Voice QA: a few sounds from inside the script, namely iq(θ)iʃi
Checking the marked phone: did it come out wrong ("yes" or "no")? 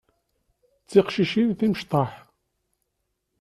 yes